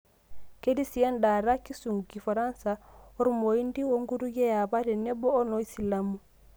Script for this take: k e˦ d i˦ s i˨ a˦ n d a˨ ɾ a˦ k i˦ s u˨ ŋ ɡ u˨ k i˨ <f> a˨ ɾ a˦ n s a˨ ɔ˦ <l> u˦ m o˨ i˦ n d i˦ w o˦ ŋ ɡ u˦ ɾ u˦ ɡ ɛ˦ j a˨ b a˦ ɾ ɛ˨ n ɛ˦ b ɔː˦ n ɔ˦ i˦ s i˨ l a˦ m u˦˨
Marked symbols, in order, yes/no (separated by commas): yes, no